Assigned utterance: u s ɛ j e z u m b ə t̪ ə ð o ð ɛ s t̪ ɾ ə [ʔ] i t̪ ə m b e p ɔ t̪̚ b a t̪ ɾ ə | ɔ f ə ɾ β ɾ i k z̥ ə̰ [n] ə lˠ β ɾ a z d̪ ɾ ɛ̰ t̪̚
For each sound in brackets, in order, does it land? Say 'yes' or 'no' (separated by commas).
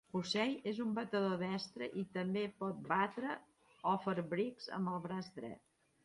yes, no